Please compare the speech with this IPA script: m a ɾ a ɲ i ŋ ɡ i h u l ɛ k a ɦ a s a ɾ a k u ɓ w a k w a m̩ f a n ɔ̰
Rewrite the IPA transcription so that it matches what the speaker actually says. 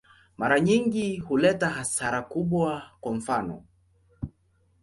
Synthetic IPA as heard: m a ɾ a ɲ i ŋ ɡ i h u l ɛ t a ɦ a s a ɾ a k u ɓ w a k w a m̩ f a n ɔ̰